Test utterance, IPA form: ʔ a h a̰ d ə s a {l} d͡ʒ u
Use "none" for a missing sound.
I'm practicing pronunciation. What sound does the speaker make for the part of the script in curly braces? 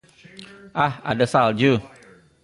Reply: l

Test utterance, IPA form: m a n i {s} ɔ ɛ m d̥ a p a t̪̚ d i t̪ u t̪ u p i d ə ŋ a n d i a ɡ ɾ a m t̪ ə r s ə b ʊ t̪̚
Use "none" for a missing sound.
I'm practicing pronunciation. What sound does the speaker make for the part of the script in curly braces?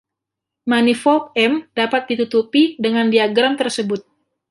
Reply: f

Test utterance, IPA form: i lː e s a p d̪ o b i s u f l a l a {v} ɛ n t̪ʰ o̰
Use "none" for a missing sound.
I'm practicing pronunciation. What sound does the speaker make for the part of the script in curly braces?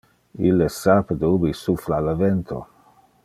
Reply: v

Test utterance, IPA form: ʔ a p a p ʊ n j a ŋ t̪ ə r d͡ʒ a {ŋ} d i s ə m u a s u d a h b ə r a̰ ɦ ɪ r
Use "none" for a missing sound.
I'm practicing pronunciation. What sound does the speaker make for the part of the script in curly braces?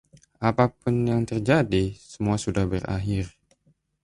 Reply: none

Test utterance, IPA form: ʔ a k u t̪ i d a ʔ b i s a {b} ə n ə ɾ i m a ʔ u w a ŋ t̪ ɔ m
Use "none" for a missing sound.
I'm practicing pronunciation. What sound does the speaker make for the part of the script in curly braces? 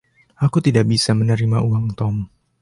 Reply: m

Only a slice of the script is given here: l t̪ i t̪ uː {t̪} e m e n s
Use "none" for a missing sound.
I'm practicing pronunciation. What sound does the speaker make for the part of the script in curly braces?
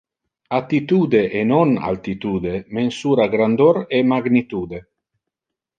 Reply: d̪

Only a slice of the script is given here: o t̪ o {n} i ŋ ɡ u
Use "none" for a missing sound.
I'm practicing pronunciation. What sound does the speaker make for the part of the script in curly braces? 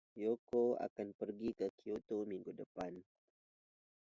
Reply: m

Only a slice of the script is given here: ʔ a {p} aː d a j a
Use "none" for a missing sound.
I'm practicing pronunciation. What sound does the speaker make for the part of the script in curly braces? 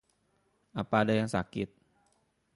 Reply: p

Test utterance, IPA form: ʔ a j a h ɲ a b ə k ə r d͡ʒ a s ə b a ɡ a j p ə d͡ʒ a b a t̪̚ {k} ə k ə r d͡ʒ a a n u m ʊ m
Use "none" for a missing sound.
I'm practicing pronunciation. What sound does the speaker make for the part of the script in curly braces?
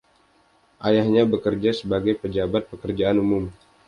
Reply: p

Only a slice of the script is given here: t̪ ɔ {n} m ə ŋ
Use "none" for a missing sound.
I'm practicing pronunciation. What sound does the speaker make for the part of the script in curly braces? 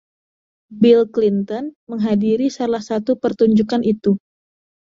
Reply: n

